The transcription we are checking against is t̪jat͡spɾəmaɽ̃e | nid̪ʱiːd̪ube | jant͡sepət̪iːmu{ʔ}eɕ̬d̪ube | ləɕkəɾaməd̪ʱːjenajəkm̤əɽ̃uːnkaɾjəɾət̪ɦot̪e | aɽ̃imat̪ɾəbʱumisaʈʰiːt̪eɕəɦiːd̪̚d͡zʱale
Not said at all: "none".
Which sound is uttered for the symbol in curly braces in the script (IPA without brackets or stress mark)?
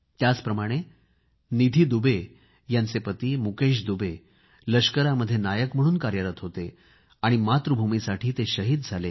k